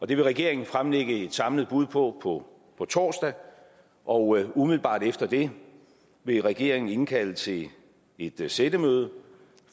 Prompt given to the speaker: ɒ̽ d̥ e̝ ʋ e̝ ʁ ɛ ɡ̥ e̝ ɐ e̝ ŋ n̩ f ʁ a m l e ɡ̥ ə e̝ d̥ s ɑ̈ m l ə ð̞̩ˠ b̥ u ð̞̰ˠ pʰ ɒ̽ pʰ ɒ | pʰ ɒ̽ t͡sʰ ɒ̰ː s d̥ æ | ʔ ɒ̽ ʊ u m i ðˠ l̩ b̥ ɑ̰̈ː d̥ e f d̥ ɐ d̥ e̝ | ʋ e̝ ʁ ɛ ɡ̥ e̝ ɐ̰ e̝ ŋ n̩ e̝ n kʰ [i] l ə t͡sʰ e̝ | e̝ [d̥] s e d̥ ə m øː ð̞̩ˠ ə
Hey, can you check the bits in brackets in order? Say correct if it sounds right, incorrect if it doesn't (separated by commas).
incorrect, correct